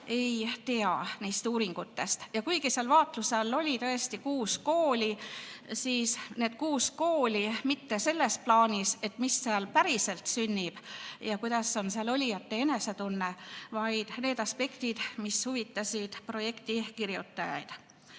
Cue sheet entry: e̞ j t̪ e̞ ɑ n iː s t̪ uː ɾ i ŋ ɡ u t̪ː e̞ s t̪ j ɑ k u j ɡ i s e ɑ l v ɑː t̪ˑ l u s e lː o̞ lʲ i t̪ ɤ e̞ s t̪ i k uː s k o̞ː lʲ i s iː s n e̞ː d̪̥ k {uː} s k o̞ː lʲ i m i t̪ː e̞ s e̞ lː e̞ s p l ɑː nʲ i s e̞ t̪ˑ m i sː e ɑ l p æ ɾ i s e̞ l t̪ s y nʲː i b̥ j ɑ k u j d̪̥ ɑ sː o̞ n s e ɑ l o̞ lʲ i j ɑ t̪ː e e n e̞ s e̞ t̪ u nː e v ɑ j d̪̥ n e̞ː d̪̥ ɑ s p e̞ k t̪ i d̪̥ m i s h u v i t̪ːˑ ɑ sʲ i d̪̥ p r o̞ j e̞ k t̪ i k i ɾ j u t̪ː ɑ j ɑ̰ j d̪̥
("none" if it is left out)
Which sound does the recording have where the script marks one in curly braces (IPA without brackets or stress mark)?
uː